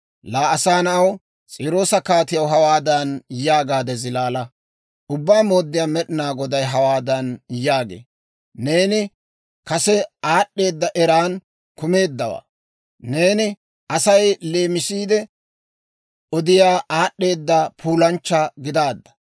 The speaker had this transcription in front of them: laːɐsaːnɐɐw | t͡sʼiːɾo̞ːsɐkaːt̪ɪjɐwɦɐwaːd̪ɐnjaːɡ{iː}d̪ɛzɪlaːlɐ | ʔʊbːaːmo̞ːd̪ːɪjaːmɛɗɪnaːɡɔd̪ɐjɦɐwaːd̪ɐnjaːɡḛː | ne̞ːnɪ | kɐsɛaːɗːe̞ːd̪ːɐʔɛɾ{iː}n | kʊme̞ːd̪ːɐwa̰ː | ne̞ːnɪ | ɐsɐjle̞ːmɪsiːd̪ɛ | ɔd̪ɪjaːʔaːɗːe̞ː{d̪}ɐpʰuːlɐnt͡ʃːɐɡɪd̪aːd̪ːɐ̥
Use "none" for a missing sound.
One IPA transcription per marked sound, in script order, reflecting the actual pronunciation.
aː, aː, d̪ː

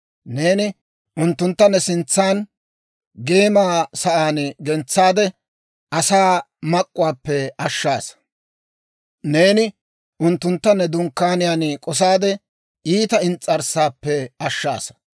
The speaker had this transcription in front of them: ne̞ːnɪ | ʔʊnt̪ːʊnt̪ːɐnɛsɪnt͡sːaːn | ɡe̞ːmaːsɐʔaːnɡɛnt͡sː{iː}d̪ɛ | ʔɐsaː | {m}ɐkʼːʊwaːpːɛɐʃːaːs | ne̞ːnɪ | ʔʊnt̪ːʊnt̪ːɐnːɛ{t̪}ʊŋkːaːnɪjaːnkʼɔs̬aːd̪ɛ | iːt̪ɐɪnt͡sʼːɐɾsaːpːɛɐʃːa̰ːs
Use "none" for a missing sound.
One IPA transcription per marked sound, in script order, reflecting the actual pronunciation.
aː, m, d̪

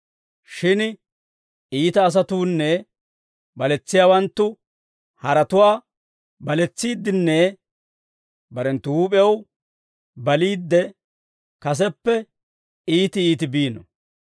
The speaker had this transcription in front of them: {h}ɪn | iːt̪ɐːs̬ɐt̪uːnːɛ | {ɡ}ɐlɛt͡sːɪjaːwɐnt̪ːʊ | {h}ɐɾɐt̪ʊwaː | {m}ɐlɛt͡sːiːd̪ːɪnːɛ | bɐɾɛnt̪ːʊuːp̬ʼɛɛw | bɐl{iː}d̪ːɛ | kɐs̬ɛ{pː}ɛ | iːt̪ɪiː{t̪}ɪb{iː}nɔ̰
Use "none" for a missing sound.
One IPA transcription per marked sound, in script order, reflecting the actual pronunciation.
ʃ, b, h, b, iː, pː, t̪, iː

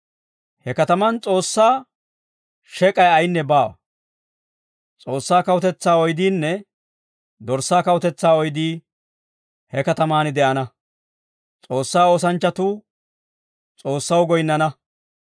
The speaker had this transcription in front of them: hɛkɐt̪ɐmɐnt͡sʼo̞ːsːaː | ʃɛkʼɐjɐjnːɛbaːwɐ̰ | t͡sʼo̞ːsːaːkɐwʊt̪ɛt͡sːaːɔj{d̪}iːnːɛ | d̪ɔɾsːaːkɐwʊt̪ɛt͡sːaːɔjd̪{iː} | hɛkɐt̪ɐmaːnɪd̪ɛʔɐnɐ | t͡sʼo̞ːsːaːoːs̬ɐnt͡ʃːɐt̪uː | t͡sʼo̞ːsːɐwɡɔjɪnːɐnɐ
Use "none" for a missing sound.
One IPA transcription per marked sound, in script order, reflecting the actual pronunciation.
d̪, iː

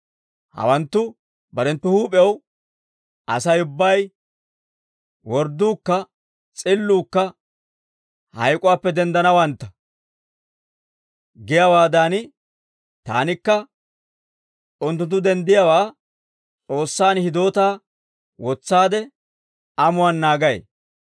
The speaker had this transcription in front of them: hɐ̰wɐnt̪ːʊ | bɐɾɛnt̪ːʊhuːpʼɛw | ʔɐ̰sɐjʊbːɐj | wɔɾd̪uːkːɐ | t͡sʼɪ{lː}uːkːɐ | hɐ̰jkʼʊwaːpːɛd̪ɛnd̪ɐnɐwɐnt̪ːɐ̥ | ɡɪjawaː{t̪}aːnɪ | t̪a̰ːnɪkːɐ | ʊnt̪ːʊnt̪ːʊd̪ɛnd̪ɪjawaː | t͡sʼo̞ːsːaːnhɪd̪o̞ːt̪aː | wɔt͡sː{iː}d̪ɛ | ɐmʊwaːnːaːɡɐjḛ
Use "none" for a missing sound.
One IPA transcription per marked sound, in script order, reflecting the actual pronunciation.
lː, d̪, aː

